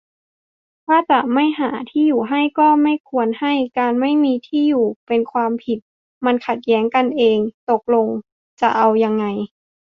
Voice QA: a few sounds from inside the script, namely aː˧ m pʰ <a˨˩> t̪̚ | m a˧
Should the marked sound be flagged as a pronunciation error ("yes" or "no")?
yes